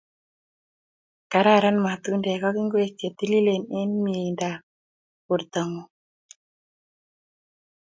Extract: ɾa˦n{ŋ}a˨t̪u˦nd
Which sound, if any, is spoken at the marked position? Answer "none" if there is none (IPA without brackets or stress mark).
m